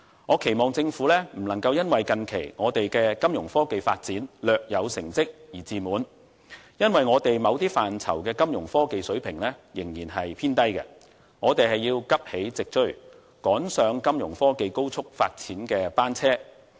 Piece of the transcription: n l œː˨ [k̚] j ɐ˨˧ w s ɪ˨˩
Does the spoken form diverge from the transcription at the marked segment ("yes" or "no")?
no